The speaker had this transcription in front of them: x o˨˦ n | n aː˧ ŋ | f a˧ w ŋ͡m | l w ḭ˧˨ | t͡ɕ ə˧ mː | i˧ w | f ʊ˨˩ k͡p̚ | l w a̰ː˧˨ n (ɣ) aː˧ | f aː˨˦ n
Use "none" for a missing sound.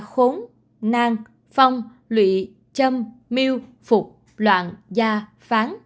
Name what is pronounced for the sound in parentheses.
z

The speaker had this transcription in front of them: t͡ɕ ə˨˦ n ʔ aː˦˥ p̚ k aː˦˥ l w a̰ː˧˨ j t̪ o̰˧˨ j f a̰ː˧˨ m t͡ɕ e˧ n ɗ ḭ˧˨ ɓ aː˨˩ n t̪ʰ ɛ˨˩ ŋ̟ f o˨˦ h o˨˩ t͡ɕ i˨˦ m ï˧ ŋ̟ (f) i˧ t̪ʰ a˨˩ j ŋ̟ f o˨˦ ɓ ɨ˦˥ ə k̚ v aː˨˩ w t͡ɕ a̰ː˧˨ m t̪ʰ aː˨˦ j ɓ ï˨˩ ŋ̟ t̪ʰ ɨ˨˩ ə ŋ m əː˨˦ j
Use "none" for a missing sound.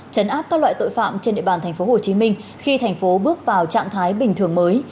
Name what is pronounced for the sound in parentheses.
x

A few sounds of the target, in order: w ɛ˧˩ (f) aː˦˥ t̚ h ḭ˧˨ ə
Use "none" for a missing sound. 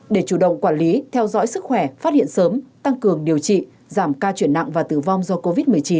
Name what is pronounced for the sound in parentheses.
f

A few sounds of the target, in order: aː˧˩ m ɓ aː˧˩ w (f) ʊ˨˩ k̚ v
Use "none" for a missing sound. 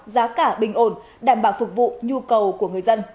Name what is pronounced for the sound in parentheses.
f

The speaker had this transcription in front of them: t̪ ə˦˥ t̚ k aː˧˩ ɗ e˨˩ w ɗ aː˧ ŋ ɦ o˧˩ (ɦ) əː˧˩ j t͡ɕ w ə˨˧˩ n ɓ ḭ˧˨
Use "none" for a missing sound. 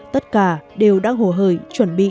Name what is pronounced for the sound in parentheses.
ɦ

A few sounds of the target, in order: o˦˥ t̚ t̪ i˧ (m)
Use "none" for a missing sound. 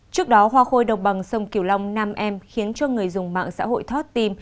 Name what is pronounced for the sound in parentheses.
m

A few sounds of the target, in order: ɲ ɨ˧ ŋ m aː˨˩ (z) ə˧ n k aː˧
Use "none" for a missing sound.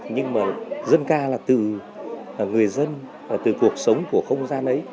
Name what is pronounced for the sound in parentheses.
z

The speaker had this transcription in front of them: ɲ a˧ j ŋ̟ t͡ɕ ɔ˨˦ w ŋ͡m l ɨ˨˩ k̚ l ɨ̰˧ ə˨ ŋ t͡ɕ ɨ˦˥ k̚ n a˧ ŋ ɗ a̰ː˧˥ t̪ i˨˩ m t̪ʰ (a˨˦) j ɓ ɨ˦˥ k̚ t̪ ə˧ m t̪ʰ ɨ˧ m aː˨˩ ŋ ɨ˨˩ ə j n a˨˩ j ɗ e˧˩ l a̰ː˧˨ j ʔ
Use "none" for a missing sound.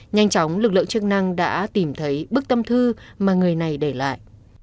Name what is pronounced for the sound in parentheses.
ə˨˦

